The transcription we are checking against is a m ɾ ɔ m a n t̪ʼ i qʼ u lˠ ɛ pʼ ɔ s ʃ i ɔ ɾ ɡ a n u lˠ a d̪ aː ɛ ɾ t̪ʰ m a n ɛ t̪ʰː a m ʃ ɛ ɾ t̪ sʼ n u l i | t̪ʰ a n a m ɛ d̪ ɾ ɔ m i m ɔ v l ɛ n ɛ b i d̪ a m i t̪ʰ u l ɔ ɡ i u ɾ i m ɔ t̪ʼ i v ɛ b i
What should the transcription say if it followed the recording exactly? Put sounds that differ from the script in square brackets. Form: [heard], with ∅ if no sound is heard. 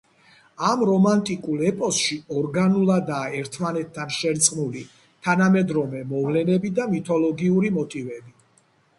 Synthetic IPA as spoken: a m ɾ ɔ m a n t̪ʼ i [kʼ] u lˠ ɛ pʼ ɔ s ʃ i ɔ ɾ ɡ a n u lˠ a d̪ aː ɛ ɾ t̪ʰ m a n ɛ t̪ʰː a [n] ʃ ɛ ɾ t̪ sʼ n u l i | t̪ʰ a n a m ɛ d̪ ɾ ɔ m [ɛ] m ɔ v l ɛ n ɛ b i d̪ a m i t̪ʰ [ɔ] l ɔ ɡ i u ɾ i m ɔ t̪ʼ i v ɛ b i